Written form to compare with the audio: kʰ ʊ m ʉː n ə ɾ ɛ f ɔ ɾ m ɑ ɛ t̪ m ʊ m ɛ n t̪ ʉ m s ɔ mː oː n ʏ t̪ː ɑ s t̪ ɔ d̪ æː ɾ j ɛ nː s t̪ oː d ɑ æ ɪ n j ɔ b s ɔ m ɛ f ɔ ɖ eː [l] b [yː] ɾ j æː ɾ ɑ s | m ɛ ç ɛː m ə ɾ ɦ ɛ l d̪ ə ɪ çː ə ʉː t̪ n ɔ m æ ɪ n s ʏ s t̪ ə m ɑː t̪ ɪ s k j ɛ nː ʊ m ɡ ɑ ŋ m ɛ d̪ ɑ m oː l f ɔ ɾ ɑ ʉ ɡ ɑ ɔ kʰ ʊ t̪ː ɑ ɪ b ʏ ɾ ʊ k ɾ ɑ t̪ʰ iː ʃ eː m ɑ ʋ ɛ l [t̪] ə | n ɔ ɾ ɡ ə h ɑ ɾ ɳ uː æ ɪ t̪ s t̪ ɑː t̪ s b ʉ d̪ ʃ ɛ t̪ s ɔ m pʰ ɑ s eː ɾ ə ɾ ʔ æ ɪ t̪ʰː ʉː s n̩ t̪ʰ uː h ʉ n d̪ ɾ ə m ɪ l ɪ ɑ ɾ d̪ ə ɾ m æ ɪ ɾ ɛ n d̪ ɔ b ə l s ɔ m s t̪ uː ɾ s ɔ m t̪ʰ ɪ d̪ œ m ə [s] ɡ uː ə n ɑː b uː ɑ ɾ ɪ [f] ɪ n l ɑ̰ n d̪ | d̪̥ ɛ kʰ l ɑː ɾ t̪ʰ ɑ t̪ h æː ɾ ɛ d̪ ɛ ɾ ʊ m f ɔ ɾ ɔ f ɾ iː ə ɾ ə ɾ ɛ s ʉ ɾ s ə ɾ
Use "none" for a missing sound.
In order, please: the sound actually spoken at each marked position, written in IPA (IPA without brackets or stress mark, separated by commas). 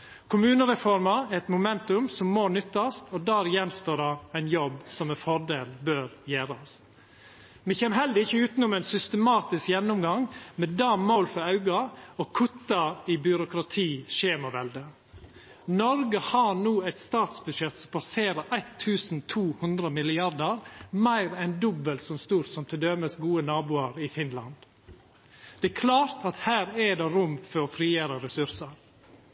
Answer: l, øː, d̪, s, f